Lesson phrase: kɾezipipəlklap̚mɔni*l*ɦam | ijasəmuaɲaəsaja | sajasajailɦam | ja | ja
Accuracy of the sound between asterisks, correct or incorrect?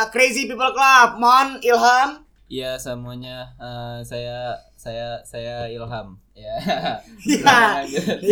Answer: correct